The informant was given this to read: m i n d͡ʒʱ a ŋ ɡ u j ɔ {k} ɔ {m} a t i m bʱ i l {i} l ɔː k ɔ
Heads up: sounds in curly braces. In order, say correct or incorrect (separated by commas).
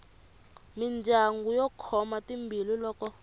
incorrect, correct, correct